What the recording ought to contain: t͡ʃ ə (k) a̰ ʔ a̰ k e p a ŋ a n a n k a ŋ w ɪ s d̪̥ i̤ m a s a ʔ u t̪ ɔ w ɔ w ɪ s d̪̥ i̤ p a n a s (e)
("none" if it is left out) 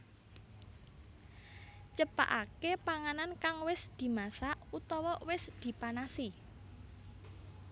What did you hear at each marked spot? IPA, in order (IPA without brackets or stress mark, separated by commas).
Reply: p, i